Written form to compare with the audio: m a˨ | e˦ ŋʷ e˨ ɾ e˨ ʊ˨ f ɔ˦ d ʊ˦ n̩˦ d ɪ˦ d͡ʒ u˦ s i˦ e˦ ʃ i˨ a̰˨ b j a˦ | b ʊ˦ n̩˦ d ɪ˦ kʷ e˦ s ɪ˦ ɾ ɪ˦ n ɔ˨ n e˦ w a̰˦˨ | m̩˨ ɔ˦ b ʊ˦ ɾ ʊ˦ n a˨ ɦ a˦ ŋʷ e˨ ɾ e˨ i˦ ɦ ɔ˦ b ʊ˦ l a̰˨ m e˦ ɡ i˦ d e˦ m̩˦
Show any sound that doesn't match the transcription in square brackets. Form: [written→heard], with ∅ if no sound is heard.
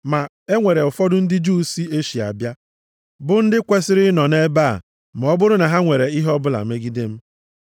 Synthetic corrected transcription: m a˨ | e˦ ŋʷ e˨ ɾ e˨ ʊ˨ f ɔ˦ d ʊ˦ n̩˦ d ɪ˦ d͡ʒ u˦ s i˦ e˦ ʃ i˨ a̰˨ b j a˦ | b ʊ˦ n̩˦ d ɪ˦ kʷ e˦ s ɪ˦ ɾ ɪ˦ n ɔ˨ n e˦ [w→b] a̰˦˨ | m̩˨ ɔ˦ b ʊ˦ ɾ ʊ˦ n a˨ ɦ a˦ ŋʷ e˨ ɾ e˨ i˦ ɦ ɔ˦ b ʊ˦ l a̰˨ m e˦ ɡ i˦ d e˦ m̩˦

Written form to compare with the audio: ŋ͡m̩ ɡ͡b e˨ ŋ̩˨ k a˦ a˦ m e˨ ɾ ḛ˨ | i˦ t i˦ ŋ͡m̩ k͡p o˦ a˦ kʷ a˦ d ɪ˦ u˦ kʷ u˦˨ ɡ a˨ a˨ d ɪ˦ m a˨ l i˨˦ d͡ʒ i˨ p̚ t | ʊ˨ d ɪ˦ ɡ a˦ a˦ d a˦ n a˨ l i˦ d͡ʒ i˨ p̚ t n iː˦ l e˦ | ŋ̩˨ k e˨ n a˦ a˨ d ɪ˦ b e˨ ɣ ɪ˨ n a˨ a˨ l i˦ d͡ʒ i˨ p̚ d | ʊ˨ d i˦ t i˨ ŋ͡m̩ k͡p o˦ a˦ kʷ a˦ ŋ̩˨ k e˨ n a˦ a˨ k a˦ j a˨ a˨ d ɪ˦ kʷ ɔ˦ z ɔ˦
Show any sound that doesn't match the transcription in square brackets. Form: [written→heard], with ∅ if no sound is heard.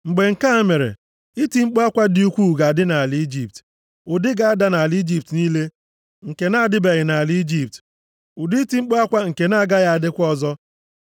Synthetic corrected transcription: ŋ͡m̩ ɡ͡b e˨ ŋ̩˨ k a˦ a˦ m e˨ ɾ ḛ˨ | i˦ t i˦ ŋ͡m̩ k͡p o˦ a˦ kʷ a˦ d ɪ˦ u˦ kʷ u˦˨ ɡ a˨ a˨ d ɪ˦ [m→n] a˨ l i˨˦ d͡ʒ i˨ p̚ t | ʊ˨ d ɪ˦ ɡ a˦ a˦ d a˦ n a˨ l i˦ d͡ʒ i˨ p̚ t n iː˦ l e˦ | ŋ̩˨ k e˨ n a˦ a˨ d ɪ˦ b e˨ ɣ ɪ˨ n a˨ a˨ l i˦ d͡ʒ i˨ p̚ [d→t] | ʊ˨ d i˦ t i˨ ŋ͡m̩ k͡p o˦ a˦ kʷ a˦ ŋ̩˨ k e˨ n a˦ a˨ [k→ɡ] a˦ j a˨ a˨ d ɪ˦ kʷ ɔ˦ z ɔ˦

